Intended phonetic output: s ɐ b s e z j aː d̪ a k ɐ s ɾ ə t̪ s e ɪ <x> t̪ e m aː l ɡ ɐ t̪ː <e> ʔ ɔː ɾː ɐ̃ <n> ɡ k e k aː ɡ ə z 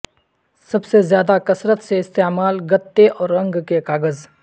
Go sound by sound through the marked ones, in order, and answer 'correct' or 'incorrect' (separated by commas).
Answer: incorrect, correct, incorrect